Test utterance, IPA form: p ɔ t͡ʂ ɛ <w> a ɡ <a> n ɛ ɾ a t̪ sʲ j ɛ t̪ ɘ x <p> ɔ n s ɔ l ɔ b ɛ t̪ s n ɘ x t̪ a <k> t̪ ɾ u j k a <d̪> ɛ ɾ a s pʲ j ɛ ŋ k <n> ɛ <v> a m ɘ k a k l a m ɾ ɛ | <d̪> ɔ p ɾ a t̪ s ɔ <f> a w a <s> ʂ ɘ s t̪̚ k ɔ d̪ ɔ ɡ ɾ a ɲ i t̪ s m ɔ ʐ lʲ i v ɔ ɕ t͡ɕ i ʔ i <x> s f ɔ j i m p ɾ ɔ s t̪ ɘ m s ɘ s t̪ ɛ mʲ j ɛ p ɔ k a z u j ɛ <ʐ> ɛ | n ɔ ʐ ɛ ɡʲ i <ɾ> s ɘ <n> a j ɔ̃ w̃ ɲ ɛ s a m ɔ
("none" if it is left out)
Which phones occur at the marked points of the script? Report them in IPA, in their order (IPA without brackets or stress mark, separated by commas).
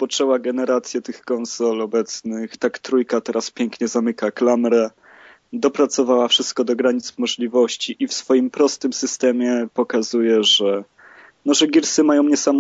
w, ɛ, k, k, t̪, ɲ, z, d̪, v, f, f, ʐ, ɾ, m